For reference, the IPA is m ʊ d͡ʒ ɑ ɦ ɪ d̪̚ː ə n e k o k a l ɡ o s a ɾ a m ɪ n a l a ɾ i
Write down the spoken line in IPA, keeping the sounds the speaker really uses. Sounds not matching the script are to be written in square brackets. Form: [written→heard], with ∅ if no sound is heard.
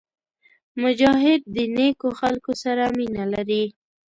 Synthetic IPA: m ʊ d͡ʒ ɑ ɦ ɪ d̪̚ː ə n e k o [k→x] a l [ɡ→k] o s a ɾ a m [ɪ→i] n a l a ɾ i